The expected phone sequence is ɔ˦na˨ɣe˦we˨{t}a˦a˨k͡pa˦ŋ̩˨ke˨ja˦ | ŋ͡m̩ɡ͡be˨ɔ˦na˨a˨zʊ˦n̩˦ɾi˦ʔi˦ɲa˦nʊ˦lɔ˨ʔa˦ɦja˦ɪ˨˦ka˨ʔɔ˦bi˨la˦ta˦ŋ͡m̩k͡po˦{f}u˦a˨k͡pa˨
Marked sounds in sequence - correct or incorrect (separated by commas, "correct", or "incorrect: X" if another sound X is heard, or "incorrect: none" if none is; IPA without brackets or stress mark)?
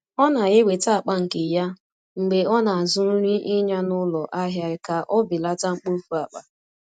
correct, correct